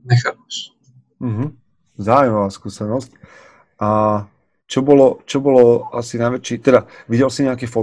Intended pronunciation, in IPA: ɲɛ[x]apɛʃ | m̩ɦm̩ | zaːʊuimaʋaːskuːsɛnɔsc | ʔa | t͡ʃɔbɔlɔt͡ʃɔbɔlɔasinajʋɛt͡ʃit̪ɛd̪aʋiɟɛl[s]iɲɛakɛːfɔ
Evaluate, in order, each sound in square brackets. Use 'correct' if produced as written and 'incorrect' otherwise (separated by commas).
correct, correct